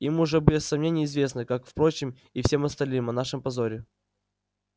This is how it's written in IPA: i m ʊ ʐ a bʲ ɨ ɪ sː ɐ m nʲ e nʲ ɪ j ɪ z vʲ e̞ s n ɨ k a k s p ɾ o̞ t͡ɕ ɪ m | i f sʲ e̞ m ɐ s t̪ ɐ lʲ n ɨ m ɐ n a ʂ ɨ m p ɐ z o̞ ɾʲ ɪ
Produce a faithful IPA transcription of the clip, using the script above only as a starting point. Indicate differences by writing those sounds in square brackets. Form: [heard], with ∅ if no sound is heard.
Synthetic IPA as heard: i m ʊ ʐ [ɛ] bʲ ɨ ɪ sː ɐ m nʲ e nʲ ɪ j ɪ z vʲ e̞ s n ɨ k a k [f] p ɾ o̞ t͡ɕ ɪ m | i f sʲ e̞ m ɐ s t̪ ɐ lʲ n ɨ m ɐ n a ʂ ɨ m p ɐ z o̞ ɾʲ ɪ

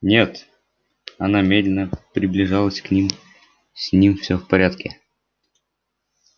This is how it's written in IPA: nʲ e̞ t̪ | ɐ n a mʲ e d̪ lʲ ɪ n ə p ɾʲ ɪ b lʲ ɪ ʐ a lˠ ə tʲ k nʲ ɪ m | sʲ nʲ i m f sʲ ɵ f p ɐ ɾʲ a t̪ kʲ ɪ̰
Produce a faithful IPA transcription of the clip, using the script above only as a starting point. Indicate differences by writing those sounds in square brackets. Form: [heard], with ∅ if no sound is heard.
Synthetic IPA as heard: nʲ e̞ t̪ | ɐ n a mʲ e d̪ lʲ ɪ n ə p ɾʲ ɪ b lʲ ɪ ʐ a lˠ ə [sʲ] k nʲ [i] m | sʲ nʲ i m f sʲ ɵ f p ɐ ɾʲ a t̪ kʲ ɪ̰

